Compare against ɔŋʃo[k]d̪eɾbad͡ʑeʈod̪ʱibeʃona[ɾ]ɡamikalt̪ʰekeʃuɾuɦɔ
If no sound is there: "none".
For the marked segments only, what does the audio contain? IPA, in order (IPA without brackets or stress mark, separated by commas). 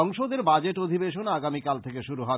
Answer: none, none